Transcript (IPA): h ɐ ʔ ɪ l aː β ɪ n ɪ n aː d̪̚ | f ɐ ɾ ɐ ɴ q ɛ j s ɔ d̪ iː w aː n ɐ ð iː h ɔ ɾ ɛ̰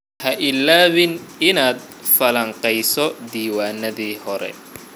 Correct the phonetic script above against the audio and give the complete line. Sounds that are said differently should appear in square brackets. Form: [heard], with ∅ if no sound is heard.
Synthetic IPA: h ɐ ʔ ɪ l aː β ɪ n ɪ n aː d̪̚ | f ɐ [l] ɐ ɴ q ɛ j s ɔ d̪ iː w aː n ɐ ð iː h ɔ ɾ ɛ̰